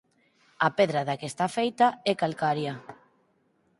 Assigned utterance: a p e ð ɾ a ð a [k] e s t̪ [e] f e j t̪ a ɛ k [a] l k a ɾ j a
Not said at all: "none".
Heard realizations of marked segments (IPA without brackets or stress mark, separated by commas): k, a, a